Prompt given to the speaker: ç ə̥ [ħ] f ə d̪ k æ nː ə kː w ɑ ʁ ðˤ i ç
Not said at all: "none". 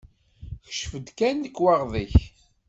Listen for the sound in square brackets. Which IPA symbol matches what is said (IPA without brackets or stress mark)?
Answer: ʃ